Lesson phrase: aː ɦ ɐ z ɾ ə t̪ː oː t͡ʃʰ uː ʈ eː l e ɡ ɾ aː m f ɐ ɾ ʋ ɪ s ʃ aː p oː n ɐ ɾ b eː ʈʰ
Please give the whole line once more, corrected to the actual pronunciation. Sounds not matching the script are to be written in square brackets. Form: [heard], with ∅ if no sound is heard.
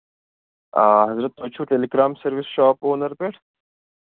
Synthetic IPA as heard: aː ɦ ɐ z ɾ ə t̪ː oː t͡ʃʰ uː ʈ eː l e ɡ ɾ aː m [s] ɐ ɾ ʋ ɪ s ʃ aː p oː n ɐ ɾ [p] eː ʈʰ

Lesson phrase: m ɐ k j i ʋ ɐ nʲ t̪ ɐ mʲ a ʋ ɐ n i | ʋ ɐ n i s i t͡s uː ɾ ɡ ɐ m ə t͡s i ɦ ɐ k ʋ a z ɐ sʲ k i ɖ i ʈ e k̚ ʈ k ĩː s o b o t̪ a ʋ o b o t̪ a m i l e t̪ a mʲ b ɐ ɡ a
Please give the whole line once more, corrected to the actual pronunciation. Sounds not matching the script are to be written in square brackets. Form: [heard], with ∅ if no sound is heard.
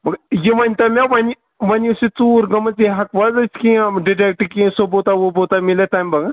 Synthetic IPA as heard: m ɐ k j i ʋ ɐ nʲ t̪ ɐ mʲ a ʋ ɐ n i | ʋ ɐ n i s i t͡s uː ɾ ɡ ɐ m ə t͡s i ɦ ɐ k ʋ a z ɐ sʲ k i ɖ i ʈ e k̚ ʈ k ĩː s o b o t̪ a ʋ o b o t̪ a m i l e t̪ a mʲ b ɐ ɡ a

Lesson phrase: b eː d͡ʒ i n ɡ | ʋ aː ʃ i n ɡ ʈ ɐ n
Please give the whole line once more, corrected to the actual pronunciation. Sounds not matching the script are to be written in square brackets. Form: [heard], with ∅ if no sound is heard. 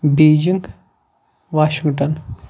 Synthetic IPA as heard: b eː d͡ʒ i [ŋ] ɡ | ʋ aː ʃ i [ŋ] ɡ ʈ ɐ n

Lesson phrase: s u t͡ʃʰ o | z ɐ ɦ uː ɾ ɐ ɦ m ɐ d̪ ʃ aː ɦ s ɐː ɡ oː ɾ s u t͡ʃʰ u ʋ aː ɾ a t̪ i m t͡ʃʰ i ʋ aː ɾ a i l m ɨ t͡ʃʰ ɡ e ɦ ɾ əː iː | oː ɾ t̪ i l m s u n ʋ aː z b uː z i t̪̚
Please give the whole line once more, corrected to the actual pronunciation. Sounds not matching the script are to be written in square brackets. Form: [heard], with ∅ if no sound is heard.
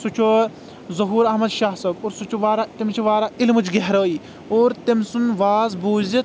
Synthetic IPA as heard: s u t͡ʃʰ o | z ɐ ɦ uː ɾ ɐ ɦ m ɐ d̪ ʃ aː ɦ s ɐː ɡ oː ɾ s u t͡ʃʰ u ʋ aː ɾ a t̪ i m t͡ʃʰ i ʋ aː ɾ a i l m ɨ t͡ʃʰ ɡ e ɦ ɾ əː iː | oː ɾ t̪ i [∅] m s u n ʋ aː z b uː z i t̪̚

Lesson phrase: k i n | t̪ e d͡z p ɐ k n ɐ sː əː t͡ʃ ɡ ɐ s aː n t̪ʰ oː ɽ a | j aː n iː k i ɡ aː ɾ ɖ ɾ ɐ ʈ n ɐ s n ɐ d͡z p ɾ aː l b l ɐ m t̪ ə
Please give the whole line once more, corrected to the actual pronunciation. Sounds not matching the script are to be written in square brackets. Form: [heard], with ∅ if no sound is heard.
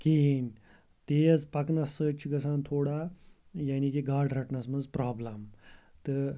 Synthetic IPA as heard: k i n | t̪ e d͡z p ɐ k n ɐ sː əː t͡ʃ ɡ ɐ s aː n t̪ʰ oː ɽ a | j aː n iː k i ɡ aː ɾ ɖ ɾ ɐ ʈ n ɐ s [m] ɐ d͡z p ɾ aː [∅] b l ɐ m t̪ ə

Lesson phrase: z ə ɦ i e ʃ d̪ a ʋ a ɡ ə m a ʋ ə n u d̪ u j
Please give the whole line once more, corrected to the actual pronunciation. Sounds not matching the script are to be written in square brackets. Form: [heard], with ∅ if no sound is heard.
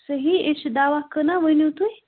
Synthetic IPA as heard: [s] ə ɦ i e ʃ d̪ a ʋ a [k] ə [n] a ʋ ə n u [t̪] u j

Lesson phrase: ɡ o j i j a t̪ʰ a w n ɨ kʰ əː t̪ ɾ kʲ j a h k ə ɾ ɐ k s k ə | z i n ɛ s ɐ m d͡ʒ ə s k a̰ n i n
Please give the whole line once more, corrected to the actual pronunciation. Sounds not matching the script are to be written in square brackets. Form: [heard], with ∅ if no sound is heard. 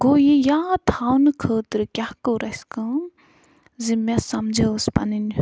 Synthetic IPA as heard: ɡ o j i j a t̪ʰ a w n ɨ kʰ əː t̪ ɾ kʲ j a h k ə ɾ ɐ [∅] s k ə | z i [m] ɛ s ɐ m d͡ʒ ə s [p] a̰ n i n

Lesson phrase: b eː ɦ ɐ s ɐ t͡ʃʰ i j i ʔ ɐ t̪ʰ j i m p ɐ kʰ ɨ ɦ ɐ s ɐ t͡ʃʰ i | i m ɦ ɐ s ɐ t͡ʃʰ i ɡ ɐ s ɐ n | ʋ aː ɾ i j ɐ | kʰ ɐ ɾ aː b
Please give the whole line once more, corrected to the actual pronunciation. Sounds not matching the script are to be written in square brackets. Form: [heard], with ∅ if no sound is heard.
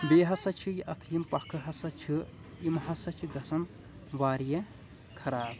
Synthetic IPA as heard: b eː ɦ ɐ s ɐ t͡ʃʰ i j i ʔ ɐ t̪ʰ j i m p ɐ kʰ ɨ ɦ ɐ s ɐ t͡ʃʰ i | i m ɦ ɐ s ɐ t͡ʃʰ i ɡ ɐ s ɐ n | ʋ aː ɾ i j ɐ | kʰ ɐ ɾ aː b

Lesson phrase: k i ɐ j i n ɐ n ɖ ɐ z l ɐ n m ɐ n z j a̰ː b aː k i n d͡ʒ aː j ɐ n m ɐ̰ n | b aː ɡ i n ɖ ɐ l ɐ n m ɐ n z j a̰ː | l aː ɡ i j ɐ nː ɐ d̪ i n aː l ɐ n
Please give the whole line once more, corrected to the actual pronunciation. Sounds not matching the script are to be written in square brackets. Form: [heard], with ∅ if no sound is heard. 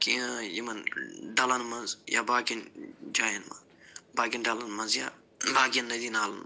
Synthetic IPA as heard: k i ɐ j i [m] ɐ n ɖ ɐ [∅] l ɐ n m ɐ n z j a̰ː b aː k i n d͡ʒ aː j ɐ n m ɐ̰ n | b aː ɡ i n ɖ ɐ l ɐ n m ɐ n z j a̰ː | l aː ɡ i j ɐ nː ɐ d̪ i n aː l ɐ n

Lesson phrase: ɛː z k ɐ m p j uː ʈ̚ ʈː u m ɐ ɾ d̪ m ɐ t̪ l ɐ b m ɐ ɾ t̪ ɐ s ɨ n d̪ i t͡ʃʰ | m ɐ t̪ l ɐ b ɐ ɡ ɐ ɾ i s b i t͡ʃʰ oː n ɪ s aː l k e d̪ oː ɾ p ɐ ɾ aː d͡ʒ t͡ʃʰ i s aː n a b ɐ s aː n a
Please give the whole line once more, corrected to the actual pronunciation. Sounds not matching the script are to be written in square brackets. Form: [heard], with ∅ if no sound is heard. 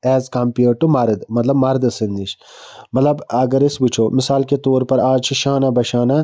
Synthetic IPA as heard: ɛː z k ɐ m p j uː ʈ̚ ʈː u m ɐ ɾ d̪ m ɐ t̪ l ɐ b m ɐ ɾ [d̪] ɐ s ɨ n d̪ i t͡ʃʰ | m ɐ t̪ l ɐ b ɐ ɡ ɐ ɾ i s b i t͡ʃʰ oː [m] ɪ s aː l k e [t̪] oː ɾ p ɐ ɾ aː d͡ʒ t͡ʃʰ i [ʃ] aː n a b ɐ [ʃ] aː n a

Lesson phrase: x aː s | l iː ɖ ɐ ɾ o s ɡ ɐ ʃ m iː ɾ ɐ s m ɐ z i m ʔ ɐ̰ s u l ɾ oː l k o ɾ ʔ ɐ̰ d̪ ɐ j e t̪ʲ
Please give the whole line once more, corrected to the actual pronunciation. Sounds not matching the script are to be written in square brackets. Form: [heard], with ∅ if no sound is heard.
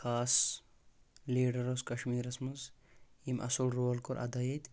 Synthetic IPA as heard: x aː s | l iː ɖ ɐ ɾ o s [k] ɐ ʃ m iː ɾ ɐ s m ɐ z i m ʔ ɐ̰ s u l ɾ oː l k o ɾ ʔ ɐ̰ d̪ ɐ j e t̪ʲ

